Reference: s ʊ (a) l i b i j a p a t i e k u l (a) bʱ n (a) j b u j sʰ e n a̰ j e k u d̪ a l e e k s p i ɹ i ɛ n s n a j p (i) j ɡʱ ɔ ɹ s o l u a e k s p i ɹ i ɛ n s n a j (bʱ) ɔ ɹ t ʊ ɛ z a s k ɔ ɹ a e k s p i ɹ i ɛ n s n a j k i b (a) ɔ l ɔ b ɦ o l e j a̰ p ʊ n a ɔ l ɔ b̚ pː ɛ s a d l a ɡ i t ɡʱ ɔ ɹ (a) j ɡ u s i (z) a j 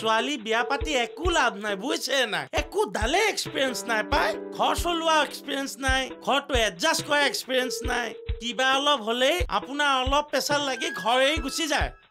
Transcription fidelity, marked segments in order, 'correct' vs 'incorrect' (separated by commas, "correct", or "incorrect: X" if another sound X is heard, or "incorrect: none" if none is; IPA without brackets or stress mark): correct, correct, correct, incorrect: a, incorrect: ɡʱ, correct, incorrect: e, correct